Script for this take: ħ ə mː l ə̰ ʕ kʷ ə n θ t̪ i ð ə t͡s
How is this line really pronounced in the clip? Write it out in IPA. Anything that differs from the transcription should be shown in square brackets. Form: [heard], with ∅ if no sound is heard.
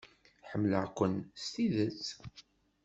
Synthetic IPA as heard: ħ ə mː l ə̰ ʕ kʷ ə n [s] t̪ i ð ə t͡s